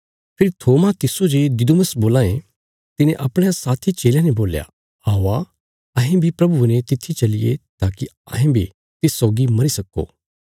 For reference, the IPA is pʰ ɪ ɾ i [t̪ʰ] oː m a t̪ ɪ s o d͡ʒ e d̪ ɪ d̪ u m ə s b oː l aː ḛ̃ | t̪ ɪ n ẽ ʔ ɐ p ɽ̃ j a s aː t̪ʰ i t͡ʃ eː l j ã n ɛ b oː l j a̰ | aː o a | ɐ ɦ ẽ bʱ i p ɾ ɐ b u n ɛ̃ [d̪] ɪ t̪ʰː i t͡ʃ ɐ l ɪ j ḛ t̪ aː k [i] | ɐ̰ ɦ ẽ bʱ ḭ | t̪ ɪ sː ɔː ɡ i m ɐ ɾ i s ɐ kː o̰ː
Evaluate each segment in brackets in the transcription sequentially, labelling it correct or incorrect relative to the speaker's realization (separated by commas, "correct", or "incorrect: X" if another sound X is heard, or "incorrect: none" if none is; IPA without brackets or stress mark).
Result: correct, incorrect: t̪, correct